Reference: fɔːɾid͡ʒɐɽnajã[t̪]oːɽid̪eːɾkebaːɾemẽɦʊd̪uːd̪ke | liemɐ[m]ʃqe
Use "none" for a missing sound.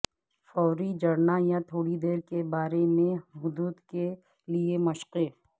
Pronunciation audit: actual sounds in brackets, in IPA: t̪ʰ, none

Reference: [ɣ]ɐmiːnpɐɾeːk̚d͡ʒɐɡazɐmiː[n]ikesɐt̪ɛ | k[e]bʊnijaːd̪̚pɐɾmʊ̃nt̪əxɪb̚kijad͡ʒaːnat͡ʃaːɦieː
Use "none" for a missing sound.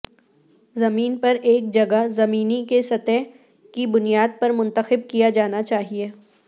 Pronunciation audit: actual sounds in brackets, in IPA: z, n, i

